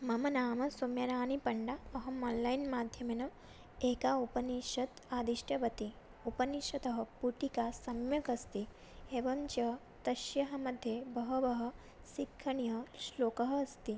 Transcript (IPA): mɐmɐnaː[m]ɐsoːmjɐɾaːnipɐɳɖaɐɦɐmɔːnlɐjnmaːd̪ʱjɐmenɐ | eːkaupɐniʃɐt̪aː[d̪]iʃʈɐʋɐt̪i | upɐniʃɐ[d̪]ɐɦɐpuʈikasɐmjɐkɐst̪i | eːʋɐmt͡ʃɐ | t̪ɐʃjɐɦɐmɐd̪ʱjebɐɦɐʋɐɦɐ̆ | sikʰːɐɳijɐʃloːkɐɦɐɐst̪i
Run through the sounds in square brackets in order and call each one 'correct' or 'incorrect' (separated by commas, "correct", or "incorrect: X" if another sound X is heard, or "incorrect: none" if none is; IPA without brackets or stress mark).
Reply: correct, correct, incorrect: t̪